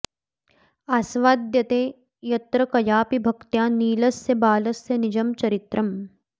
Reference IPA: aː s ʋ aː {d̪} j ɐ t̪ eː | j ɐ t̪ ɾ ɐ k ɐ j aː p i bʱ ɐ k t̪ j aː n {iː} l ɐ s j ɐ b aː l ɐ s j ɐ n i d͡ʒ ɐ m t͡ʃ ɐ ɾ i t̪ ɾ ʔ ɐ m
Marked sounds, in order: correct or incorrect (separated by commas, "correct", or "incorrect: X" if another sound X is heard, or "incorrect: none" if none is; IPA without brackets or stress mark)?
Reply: correct, correct